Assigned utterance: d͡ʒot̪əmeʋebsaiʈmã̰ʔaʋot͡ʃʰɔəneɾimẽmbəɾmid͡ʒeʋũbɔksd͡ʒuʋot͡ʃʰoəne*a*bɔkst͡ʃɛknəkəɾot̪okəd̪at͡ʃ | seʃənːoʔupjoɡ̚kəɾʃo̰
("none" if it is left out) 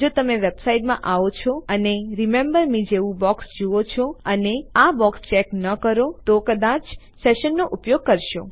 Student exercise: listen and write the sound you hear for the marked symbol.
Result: a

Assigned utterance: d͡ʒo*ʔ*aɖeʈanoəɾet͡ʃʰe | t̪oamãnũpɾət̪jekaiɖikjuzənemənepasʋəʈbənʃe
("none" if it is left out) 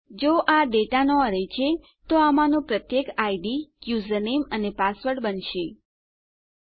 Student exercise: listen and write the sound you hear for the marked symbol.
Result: ʔ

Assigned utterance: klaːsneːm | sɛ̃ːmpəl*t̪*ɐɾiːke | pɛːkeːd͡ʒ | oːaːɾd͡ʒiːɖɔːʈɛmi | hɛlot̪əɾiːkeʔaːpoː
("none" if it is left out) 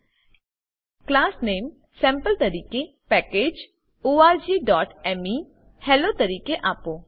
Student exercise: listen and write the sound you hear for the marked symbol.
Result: t̪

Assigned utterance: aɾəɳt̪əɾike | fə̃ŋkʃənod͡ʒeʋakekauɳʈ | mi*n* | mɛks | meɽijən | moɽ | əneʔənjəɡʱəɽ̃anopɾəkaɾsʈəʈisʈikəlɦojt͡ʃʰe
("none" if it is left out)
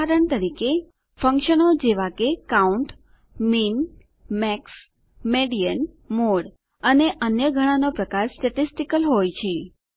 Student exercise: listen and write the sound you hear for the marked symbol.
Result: n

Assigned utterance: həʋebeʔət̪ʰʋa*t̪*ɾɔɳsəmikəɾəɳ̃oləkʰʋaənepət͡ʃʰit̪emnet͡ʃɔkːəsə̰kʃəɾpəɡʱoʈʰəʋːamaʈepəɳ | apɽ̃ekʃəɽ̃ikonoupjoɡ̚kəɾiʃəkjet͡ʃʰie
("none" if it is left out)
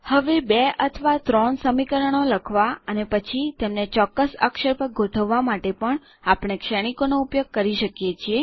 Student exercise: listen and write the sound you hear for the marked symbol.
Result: t̪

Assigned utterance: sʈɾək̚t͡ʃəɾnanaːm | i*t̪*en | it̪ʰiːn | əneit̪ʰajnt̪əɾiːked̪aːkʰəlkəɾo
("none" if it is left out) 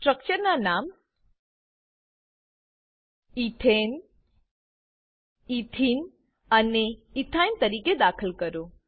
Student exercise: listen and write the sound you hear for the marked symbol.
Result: t̪ʰ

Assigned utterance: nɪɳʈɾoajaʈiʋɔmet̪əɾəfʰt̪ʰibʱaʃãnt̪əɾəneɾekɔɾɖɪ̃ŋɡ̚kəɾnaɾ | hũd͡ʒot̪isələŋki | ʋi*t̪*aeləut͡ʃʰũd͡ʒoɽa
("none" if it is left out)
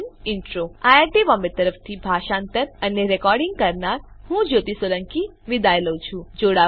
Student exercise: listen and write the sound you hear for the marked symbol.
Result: d̪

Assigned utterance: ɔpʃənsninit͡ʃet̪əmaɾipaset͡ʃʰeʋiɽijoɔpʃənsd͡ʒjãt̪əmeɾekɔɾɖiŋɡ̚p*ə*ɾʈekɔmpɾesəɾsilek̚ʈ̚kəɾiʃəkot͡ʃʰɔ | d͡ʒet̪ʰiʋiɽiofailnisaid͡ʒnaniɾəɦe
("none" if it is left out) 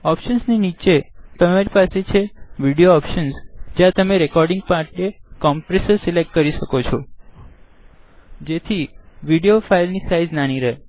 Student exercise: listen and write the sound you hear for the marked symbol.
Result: a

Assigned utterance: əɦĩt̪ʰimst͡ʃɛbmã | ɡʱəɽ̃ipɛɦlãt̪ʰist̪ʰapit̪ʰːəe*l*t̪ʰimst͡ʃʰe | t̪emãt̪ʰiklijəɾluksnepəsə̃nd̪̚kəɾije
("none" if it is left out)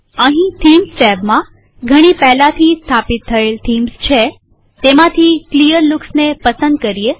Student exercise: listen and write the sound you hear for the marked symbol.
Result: l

